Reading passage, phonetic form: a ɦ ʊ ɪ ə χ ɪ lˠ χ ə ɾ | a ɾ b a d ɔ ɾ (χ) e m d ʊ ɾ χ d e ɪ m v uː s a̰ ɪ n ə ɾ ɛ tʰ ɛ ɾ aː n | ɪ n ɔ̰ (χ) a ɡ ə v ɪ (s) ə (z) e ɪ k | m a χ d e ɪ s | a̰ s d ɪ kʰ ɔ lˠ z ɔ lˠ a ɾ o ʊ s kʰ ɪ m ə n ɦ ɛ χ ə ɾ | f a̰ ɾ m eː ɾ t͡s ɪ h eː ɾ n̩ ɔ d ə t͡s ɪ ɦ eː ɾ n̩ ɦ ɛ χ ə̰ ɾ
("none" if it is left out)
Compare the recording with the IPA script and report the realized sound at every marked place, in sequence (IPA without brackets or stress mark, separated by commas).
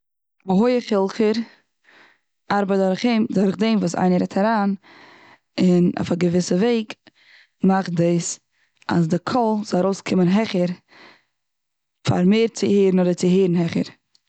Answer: χ, f, s, v